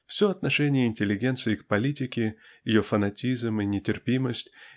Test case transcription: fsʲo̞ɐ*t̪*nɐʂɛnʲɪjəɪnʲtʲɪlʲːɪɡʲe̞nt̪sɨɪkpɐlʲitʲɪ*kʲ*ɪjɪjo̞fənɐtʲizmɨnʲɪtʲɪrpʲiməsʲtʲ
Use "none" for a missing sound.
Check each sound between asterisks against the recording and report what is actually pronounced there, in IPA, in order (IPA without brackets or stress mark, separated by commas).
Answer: t̪, kʲ